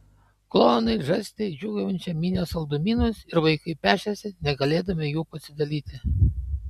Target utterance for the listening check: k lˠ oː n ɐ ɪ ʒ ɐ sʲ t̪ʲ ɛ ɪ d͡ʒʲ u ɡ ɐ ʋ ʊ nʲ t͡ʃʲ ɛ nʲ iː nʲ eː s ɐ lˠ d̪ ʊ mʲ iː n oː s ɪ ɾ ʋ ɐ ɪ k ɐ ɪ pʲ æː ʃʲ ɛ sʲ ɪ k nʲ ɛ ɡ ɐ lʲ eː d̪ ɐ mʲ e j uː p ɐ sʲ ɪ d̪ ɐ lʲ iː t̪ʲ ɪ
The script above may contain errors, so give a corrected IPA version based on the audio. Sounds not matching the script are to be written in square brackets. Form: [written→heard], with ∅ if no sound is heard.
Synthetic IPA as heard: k lˠ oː n ɐ ɪ ʒ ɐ sʲ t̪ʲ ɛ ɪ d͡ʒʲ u ɡ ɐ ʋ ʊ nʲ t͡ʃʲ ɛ [nʲ→mʲ] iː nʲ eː s ɐ lˠ d̪ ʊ mʲ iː n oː s ɪ ɾ ʋ ɐ ɪ k ɐ ɪ pʲ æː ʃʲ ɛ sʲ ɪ [k→∅] nʲ ɛ ɡ ɐ lʲ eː d̪ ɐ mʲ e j uː p ɐ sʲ ɪ d̪ ɐ lʲ iː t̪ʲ ɪ